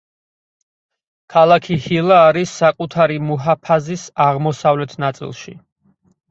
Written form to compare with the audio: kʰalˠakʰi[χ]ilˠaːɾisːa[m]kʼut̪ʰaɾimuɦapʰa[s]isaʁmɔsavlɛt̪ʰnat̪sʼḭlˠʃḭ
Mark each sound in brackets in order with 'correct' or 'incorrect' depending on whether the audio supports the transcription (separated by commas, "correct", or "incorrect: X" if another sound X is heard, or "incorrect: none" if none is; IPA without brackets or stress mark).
incorrect: h, incorrect: none, incorrect: z